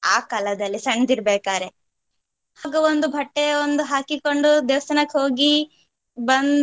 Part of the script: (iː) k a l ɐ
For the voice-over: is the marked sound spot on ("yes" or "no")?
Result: no